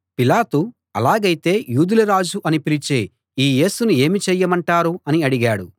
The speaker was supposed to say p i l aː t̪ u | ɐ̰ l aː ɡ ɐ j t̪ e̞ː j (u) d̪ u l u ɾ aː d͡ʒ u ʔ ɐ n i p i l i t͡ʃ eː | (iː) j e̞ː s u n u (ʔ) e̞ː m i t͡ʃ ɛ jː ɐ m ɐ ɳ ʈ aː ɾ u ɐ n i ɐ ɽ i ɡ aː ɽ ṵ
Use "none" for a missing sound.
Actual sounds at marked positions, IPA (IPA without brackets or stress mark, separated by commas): uː, iː, none